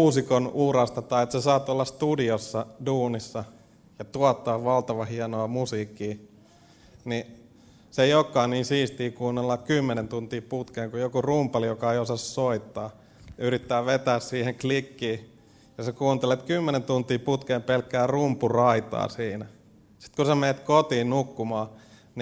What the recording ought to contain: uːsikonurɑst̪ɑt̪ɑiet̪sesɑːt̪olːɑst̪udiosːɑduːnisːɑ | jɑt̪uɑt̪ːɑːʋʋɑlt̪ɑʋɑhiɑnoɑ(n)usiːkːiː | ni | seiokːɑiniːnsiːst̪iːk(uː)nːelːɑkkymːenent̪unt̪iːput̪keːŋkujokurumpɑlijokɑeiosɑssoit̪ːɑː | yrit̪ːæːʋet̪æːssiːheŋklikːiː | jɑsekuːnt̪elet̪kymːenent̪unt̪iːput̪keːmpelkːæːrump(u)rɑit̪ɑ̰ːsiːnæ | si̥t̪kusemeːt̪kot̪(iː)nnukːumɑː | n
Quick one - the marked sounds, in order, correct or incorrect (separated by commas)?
incorrect, correct, correct, correct